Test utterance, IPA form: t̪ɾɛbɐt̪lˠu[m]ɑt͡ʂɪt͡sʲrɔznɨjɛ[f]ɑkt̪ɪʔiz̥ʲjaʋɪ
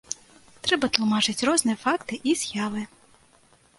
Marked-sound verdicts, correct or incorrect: correct, correct

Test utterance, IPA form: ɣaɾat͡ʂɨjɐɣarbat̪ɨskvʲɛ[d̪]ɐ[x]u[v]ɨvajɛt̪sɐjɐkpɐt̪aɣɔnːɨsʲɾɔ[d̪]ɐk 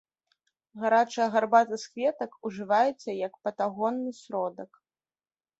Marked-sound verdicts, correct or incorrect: incorrect: t̪, incorrect: k, incorrect: ʐ, correct

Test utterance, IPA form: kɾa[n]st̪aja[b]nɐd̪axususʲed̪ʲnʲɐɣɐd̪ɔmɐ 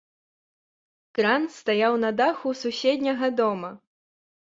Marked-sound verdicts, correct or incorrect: correct, incorrect: w

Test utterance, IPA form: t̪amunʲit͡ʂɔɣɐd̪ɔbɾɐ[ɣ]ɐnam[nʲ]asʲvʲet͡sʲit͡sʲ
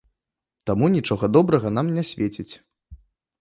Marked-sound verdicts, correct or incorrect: correct, correct

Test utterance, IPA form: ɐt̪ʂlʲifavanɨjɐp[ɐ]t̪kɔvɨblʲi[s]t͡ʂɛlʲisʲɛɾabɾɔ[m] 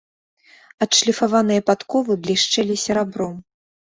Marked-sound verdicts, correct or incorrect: incorrect: a, incorrect: ʂ, correct

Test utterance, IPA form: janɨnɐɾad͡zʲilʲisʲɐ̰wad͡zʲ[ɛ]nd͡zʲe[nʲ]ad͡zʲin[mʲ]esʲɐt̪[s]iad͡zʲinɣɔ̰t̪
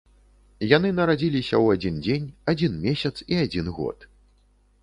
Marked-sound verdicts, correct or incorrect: incorrect: i, correct, correct, correct

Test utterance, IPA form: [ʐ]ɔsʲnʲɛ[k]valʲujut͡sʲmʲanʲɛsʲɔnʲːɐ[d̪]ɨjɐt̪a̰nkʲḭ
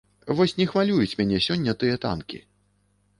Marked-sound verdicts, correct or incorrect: incorrect: v, incorrect: x, incorrect: t̪

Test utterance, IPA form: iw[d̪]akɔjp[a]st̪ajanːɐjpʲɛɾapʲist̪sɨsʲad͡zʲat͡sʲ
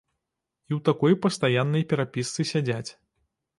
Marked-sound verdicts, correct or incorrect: incorrect: t̪, incorrect: ɐ

